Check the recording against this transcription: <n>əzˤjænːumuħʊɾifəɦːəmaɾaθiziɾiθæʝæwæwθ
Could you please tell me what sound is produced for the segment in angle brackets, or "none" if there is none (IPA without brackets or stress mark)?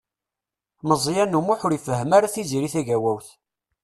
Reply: m